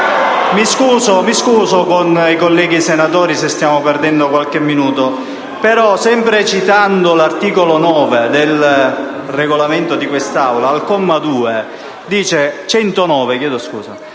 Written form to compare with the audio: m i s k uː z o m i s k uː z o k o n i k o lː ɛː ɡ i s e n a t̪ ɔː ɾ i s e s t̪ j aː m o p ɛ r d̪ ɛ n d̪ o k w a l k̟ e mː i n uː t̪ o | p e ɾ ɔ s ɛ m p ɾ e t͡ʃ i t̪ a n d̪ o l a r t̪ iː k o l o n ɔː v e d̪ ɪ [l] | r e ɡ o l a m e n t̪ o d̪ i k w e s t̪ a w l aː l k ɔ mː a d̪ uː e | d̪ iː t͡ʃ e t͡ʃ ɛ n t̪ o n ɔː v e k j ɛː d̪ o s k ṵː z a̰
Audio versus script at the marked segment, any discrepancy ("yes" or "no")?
no